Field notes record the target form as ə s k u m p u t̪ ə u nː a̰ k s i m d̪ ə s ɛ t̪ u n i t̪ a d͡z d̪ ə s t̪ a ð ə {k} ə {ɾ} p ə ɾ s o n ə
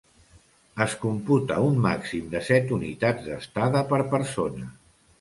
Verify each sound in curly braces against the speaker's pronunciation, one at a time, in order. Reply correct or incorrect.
incorrect: p, correct

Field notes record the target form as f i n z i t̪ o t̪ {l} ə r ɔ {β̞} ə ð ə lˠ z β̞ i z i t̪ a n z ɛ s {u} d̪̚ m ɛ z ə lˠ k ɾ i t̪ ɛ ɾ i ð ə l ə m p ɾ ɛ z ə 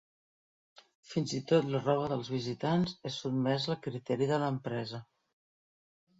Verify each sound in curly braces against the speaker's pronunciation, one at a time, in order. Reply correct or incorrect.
correct, correct, correct

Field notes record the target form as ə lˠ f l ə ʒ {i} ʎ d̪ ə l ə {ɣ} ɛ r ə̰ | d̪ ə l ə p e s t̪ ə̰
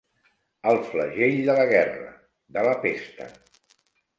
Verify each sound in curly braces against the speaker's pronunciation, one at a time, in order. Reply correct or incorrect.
incorrect: e, correct

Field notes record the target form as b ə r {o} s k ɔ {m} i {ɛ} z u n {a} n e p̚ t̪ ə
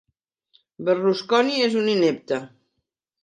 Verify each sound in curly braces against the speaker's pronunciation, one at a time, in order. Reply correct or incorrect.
incorrect: u, incorrect: n, incorrect: e, incorrect: i

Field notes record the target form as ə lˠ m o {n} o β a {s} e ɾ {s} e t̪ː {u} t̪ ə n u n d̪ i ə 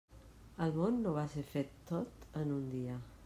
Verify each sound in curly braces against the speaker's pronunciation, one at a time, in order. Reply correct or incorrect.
incorrect: nː, correct, incorrect: f, incorrect: o

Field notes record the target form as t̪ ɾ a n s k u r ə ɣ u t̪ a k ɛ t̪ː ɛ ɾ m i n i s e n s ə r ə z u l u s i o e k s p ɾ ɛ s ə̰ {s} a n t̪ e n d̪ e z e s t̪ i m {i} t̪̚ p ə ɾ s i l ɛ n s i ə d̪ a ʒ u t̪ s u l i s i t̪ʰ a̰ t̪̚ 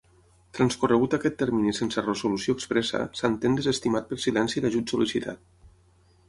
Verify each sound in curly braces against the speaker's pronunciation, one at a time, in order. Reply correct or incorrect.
correct, incorrect: a

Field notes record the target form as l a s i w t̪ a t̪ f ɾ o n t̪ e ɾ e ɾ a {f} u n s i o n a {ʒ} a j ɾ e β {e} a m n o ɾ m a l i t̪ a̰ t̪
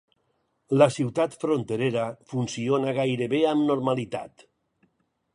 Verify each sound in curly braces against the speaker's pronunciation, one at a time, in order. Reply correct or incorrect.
correct, incorrect: ɣ, correct

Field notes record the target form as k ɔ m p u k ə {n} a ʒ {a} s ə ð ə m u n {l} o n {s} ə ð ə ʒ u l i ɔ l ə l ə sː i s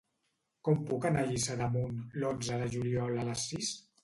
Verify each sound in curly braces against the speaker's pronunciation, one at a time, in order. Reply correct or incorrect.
correct, incorrect: i, correct, incorrect: z

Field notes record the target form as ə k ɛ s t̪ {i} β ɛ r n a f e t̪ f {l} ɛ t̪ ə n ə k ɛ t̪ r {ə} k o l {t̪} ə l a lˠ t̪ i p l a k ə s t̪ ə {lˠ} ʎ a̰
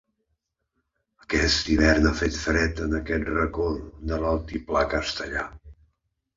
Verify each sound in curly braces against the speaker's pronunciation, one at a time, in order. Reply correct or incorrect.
correct, incorrect: ɾ, correct, incorrect: d̪, incorrect: none

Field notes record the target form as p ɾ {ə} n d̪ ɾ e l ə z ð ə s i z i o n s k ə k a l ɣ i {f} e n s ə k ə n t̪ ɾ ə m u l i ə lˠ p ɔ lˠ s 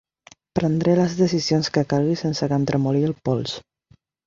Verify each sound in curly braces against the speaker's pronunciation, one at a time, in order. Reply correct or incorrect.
correct, incorrect: s

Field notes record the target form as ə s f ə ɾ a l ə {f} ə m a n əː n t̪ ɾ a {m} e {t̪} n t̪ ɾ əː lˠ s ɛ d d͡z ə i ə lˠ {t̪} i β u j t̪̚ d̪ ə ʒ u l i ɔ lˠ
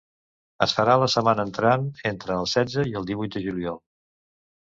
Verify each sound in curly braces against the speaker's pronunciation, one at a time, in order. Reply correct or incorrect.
incorrect: s, incorrect: n, incorrect: none, incorrect: d̪

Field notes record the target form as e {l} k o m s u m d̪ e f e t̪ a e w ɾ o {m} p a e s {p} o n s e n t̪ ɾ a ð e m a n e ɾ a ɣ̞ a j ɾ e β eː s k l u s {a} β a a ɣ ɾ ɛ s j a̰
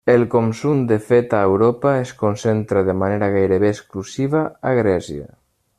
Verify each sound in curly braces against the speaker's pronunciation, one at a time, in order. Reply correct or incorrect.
correct, incorrect: none, incorrect: k, incorrect: i

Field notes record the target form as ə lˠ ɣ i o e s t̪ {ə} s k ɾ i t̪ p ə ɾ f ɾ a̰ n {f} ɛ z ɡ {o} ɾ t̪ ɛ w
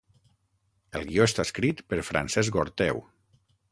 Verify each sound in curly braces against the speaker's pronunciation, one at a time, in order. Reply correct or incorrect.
incorrect: a, incorrect: s, correct

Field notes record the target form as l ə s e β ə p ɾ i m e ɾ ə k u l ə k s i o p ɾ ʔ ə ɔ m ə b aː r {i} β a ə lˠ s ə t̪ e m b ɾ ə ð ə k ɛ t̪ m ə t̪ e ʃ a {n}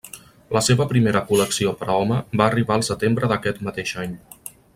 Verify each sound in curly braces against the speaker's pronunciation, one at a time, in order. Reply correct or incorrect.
correct, incorrect: ɲ

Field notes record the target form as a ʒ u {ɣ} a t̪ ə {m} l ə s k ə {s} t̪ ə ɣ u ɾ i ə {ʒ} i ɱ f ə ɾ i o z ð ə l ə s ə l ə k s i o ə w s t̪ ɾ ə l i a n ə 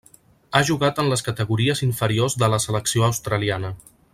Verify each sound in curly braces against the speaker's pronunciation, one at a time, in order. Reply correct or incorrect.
correct, incorrect: n, incorrect: none, incorrect: z

